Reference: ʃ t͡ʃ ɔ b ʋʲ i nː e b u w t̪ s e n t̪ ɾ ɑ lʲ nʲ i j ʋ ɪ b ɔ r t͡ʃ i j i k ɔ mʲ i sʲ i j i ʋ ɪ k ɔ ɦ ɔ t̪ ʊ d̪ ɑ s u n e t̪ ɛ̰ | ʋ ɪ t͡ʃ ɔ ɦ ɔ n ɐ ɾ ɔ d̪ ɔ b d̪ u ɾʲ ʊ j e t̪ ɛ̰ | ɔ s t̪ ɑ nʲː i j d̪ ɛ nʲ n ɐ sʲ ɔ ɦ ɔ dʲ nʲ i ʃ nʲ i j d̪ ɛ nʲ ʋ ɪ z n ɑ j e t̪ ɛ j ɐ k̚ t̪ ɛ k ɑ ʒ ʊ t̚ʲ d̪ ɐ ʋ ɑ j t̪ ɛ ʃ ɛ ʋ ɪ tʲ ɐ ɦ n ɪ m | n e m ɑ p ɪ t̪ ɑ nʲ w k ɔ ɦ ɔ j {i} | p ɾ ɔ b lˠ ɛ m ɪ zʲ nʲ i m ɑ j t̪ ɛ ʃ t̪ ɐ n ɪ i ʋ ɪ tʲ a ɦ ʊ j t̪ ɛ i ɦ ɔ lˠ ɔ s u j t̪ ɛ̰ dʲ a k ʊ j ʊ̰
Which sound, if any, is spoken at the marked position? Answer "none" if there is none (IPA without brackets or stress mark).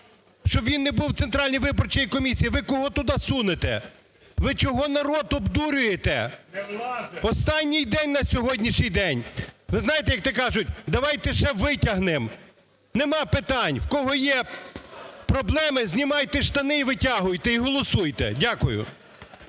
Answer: ɛ